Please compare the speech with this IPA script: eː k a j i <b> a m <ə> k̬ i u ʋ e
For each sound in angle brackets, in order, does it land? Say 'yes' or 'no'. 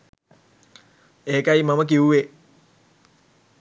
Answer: no, yes

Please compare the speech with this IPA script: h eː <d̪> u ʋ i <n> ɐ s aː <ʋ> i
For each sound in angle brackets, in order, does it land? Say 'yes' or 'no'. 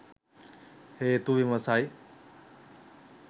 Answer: no, no, no

